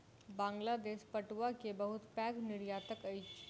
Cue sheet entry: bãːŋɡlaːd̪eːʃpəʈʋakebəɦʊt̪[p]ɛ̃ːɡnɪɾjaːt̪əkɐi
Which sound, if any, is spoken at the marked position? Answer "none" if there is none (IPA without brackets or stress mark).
p